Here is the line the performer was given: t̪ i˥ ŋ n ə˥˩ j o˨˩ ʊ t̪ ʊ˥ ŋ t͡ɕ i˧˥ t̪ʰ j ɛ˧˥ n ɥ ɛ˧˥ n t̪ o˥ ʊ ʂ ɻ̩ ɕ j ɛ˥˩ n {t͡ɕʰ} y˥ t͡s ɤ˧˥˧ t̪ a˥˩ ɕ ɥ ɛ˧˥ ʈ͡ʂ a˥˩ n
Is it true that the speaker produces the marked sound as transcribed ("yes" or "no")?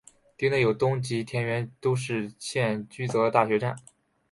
no